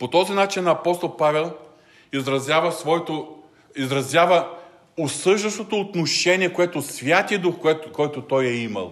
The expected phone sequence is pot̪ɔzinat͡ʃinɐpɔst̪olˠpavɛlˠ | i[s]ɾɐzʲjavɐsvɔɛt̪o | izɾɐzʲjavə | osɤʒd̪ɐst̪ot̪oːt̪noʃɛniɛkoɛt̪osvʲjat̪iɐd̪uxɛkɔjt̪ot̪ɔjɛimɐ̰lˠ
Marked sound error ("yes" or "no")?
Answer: yes